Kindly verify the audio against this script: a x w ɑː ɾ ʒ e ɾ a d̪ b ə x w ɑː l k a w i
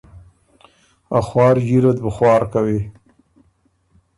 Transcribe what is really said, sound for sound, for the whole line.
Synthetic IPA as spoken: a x w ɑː ɾ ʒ i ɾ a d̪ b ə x w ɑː ɾ k a w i